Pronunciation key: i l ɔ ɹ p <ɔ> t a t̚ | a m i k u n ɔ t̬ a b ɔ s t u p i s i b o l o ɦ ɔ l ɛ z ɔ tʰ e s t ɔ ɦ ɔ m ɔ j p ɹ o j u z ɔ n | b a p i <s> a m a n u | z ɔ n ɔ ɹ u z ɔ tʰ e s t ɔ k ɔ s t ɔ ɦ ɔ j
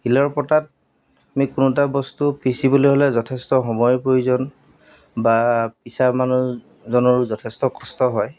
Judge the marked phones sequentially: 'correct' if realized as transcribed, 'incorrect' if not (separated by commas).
correct, correct